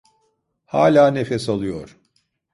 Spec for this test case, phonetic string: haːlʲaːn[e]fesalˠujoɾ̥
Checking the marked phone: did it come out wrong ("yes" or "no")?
no